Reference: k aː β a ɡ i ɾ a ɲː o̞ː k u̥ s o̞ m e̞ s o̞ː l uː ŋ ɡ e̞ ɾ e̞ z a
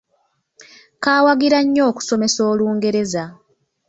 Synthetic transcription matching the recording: k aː w a ɡ i ɾ a ɲː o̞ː k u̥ s o̞ m e̞ s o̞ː l uː ŋ ɡ e̞ ɾ e̞ z a

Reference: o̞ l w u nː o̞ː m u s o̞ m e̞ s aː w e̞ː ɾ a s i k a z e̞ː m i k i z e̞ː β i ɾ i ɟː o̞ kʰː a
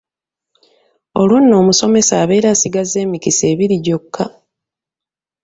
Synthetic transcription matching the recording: o̞ l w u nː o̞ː m u s o̞ m e̞ s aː β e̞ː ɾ a s i ɡ a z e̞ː m i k i s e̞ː β i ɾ i ɟ o̞ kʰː a

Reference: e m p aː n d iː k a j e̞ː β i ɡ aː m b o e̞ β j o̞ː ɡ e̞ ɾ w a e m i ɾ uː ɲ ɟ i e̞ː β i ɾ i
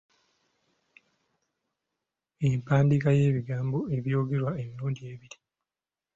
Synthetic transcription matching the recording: e m p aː n d i k a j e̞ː β i ɡ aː m b o e̞ β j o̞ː ɡ e̞ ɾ w a e m i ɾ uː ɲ ɟ i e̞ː β i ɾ i

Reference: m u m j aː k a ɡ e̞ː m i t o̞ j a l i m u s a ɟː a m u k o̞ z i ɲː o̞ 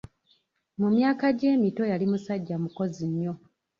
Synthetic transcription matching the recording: m u m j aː k a ɟ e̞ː m i t o̞ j a l i m u s a ɟː a m u k o̞ z i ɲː o̞

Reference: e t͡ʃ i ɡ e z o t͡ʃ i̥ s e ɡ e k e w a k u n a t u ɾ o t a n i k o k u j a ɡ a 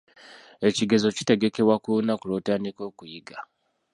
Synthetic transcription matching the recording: e t͡ʃ i ɡ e z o t͡ʃ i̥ t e ɡ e k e w a k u n a k u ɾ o t a n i k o k u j i ɡ a

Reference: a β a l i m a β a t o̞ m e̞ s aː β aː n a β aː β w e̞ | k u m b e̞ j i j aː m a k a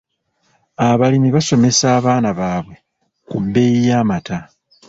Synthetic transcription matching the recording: a β a l i m i β a s o̞ m e̞ s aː β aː n a β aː β w e̞ | k u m b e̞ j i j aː m a t a

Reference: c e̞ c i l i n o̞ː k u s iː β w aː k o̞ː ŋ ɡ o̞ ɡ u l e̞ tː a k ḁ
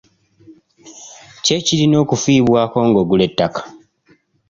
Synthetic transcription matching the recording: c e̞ c i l i n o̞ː k u f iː β w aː k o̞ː ŋ ɡ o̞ ɡ u l e̞ tː a k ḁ

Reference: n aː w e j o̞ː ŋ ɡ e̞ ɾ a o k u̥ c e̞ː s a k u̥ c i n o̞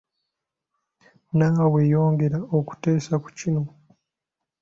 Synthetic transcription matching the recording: n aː w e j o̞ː ŋ ɡ e̞ ɾ a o k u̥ t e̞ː s a k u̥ c i n o̞

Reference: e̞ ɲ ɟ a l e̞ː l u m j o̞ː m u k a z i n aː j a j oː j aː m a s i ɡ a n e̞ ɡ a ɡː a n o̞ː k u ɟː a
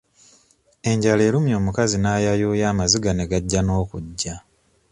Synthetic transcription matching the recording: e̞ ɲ ɟ a l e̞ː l u m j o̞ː m u k a z i n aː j a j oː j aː m a z i ɡ a n e̞ ɡ a ɟː a n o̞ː k u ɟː a

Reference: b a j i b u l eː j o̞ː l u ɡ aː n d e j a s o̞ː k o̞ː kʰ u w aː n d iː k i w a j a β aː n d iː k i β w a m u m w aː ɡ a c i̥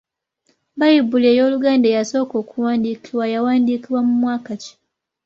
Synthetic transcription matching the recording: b a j i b u l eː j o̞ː l u ɡ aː n d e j a s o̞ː k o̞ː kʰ u w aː n d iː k i w a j a w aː n d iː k i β w a m u m w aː k a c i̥

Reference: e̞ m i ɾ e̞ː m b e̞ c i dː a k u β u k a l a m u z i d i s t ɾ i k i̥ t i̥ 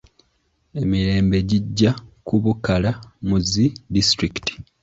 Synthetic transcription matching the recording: e̞ m i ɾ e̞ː m b e̞ ɟ i ɟː a k u β u k a l a m u z i d i s t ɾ i k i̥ t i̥

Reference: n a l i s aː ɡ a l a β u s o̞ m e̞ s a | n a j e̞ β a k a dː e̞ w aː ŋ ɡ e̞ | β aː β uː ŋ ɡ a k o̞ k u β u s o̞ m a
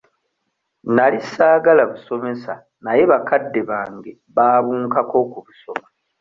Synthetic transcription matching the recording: n a l i s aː ɡ a l a β u s o̞ m e̞ s a | n a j e̞ β a k a dː e̞ β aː ŋ ɡ e̞ | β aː β uː ŋ k a k o̞ k u β u s o̞ m a

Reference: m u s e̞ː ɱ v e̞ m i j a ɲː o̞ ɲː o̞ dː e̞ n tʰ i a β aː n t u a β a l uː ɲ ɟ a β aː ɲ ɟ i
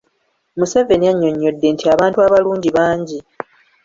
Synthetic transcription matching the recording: m u s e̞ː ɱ v e̞ n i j a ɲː o̞ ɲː o̞ dː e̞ n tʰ i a β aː n t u a β a l uː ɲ ɟ i β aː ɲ ɟ i

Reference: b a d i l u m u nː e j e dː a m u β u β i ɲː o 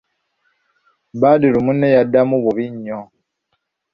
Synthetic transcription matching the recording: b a d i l u m u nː e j a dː a m u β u β i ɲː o

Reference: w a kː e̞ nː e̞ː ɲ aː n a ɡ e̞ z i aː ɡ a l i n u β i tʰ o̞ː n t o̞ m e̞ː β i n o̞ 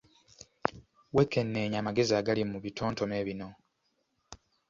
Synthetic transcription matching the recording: w e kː e̞ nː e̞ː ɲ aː m a ɡ e̞ z i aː ɡ a l i m u β i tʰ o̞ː n t o̞ m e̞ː β i n o̞

